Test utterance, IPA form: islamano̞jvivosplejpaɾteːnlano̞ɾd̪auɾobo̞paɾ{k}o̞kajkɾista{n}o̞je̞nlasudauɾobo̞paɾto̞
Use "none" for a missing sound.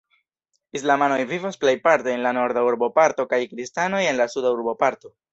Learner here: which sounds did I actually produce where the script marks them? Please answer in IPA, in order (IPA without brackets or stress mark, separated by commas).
t, n